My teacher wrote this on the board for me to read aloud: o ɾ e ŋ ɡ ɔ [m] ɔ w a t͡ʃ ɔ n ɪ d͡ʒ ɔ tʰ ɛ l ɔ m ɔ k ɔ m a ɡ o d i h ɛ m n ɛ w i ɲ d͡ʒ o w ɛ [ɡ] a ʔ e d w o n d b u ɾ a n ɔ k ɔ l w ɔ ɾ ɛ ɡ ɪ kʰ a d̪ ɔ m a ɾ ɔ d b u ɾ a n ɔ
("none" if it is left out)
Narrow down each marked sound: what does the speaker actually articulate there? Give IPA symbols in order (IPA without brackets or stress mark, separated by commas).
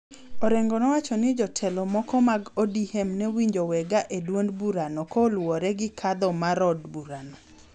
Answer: n, ɡ